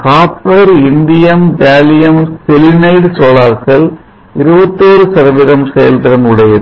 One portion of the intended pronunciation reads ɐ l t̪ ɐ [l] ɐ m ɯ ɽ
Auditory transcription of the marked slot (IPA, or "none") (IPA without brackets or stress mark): ɾ